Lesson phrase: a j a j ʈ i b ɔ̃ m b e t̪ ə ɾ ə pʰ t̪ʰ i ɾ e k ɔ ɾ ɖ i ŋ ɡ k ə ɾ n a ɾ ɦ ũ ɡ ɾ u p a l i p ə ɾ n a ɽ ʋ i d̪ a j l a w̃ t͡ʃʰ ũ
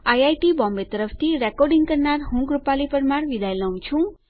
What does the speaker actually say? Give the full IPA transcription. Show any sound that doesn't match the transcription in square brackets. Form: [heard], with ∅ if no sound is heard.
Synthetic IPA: a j a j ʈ i b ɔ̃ m b e t̪ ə ɾ ə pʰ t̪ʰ i ɾ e k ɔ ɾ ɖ i ŋ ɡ k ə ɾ n a ɾ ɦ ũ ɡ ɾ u p a l i p ə ɾ [m] a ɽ ʋ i d̪ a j l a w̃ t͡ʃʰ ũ